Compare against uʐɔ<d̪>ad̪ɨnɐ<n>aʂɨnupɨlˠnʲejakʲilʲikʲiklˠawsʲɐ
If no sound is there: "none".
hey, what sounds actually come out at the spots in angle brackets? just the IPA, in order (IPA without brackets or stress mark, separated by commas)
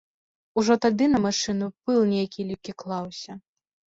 t̪, m